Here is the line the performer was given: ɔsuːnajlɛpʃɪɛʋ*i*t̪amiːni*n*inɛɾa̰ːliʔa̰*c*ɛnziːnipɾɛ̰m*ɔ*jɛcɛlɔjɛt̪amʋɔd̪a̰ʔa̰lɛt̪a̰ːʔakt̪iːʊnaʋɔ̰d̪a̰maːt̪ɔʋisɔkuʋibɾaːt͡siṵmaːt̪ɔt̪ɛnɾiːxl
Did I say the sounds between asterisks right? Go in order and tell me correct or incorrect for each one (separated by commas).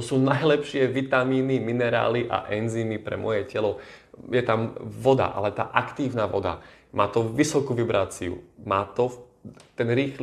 correct, incorrect, incorrect, correct